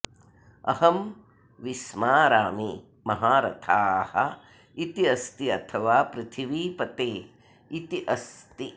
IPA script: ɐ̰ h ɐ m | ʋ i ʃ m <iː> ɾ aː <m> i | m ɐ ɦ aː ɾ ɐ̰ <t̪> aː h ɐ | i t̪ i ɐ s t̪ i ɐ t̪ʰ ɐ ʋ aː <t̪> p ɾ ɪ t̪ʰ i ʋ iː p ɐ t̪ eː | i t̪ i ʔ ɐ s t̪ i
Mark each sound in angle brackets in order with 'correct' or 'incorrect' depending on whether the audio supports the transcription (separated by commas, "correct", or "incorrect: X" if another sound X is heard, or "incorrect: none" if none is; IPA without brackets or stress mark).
incorrect: aː, correct, incorrect: t̪ʰ, incorrect: none